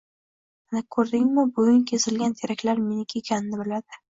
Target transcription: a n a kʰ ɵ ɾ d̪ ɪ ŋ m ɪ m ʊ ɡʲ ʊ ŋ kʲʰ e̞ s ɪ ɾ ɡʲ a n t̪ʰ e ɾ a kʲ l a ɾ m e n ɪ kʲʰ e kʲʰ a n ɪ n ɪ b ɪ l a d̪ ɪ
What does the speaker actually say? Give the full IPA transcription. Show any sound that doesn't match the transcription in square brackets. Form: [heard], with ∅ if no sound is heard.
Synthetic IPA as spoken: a n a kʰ ɵ ɾ d̪ ɪ ŋ m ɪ [b] ʊ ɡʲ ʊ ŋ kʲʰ e̞ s ɪ [l] ɡʲ a n t̪ʰ e ɾ a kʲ l a ɾ m e n ɪ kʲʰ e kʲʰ a n ɪ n ɪ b ɪ l a d̪ ɪ